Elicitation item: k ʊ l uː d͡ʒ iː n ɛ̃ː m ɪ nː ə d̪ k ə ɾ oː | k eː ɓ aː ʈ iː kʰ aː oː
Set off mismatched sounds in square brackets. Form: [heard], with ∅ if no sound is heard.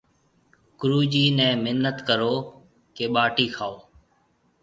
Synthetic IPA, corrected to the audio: k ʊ [ɾ] uː d͡ʒ iː n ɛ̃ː m ɪ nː ə [t̪] k ə ɾ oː | k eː ɓ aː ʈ iː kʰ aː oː